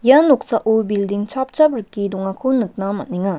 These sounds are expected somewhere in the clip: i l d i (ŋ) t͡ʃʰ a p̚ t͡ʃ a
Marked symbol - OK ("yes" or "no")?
yes